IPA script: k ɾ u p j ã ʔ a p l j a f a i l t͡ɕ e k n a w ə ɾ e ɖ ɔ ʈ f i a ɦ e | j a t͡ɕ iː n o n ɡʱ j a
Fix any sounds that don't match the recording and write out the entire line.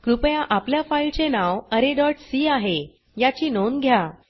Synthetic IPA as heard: k ɾ u p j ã ʔ a p l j a f a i l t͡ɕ e n a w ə ɾ e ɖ ɔ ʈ s i a ɦ e | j a t͡ɕ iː n o n ɡʱ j a